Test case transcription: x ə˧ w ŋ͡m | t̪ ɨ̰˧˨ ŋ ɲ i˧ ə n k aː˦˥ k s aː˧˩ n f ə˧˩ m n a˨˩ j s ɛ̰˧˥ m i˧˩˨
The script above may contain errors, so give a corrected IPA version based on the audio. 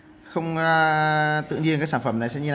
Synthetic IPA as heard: x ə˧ w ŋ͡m | t̪ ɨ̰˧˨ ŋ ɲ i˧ ə n k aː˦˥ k s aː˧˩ n f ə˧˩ m n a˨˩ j s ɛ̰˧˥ ɲ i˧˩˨